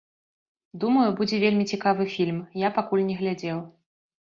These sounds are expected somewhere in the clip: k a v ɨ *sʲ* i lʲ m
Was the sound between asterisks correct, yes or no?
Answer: no